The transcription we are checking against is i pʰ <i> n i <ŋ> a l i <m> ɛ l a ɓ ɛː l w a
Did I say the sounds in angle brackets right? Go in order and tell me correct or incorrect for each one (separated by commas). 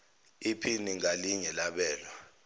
correct, correct, incorrect